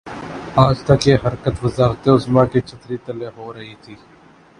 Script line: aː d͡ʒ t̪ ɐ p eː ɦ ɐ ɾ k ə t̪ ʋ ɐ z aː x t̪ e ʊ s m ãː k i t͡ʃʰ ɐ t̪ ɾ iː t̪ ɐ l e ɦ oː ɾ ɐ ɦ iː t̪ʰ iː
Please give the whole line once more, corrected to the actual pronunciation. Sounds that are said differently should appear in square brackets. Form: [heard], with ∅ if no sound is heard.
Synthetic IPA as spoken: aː d͡ʒ t̪ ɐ [k] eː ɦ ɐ ɾ k ə t̪ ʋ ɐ z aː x t̪ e ʊ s m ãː k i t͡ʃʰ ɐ t̪ ɾ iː t̪ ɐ l e ɦ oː ɾ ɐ ɦ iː t̪ʰ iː